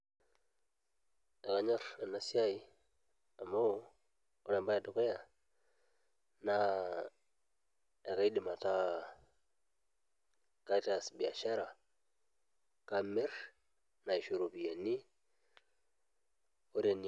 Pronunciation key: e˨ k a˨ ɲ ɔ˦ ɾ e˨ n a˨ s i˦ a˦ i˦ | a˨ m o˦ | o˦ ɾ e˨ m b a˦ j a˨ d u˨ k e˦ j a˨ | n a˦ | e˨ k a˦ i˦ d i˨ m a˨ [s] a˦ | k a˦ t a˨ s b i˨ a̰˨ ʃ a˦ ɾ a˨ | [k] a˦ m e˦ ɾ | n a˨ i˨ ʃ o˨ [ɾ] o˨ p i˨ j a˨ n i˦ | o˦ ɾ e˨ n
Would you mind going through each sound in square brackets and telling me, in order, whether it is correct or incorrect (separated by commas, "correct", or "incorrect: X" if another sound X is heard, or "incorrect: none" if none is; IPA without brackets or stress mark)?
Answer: incorrect: t, correct, correct